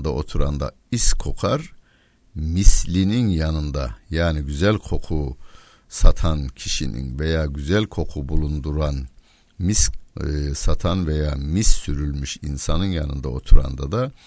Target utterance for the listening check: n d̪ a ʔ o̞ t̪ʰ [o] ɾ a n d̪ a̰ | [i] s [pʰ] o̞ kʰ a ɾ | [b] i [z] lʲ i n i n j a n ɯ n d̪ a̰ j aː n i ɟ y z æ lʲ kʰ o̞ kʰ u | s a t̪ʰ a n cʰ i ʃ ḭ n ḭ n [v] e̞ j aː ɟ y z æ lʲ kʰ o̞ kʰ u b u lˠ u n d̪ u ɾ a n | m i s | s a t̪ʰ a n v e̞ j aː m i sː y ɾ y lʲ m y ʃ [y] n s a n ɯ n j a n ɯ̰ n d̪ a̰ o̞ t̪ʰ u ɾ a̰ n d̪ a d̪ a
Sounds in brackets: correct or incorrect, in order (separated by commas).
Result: incorrect, correct, incorrect, incorrect, incorrect, correct, incorrect